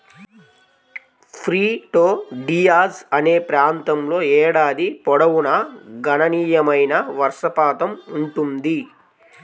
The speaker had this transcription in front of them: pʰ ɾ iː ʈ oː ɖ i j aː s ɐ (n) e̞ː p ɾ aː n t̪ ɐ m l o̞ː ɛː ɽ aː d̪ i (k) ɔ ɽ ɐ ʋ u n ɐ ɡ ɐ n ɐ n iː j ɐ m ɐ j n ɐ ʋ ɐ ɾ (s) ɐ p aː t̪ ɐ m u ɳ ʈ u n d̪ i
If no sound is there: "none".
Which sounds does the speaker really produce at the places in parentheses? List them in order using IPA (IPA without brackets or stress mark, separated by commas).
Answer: n, p, ʂ